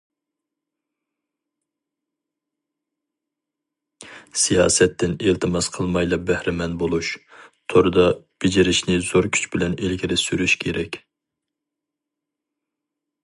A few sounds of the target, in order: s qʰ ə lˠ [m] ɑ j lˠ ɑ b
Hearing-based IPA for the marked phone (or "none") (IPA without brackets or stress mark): m